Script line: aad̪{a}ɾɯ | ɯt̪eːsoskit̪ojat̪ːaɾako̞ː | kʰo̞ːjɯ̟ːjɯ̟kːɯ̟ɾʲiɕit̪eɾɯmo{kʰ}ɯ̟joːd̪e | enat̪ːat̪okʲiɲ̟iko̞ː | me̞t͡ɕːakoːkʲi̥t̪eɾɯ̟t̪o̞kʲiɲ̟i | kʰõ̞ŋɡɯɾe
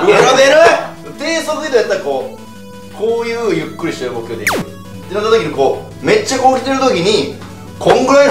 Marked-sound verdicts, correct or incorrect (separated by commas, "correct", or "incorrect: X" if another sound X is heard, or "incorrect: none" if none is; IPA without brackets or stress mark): incorrect: e, incorrect: k